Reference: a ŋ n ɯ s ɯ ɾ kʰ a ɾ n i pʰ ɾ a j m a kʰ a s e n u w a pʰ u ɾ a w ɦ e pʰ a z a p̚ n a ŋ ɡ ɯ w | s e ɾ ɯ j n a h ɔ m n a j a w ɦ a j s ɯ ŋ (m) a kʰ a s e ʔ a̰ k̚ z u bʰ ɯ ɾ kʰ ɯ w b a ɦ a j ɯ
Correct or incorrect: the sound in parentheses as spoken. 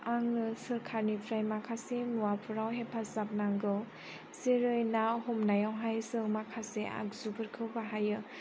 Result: correct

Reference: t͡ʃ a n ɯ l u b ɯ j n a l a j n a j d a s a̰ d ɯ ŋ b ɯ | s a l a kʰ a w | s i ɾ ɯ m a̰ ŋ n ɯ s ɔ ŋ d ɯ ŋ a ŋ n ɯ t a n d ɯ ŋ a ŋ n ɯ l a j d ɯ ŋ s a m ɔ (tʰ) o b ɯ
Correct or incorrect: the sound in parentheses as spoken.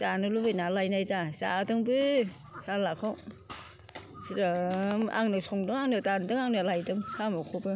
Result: incorrect: kʰ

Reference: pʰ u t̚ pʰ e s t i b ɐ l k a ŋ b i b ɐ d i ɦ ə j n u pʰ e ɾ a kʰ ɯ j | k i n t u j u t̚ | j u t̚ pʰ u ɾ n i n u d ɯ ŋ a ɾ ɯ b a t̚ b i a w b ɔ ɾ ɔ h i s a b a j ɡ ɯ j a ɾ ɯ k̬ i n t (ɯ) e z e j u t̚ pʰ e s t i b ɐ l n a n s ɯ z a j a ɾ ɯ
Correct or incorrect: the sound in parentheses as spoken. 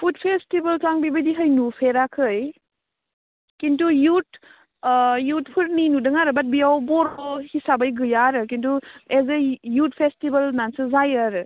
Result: incorrect: u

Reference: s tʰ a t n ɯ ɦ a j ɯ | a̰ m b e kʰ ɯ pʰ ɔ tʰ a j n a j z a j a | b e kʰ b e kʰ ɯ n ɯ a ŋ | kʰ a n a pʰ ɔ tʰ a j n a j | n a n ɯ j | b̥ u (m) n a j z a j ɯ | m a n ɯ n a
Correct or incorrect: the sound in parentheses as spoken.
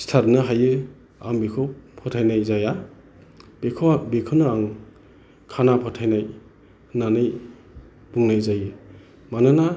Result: incorrect: ŋ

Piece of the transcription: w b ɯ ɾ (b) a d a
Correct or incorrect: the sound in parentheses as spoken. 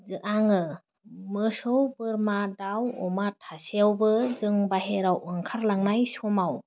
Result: incorrect: m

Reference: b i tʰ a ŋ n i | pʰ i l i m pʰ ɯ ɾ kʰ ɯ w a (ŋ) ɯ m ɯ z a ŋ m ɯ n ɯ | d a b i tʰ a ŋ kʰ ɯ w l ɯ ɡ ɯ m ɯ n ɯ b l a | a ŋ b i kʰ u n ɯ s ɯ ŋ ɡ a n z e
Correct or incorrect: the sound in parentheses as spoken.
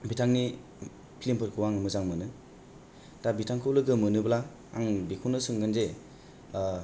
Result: correct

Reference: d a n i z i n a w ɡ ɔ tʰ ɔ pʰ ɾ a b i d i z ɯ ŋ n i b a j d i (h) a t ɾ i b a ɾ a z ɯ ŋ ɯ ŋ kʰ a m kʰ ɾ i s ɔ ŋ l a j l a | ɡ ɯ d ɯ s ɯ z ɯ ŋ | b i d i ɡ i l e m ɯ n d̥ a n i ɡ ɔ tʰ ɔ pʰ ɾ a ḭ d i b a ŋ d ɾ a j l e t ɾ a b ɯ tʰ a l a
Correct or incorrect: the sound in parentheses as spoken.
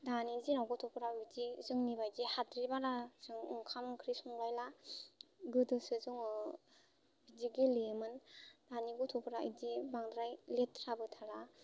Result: correct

